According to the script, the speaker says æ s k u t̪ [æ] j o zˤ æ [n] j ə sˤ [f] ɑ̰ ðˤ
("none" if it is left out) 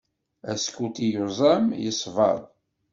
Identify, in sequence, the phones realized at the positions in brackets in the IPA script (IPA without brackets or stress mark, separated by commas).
i, m, v